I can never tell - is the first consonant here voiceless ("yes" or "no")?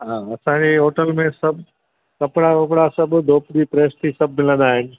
no